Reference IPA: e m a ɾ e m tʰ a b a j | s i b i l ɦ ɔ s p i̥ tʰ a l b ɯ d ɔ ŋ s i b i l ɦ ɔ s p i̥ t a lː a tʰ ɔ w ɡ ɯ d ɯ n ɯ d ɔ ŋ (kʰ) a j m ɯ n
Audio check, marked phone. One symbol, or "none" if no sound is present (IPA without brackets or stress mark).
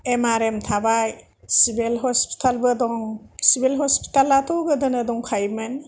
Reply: kʰ